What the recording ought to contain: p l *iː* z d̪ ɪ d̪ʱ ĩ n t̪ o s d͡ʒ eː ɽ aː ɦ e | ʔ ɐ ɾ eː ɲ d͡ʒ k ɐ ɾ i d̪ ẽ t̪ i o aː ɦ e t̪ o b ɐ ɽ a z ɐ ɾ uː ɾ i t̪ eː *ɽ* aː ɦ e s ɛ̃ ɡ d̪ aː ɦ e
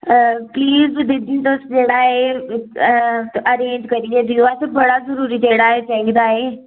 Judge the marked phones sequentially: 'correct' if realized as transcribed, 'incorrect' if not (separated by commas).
correct, correct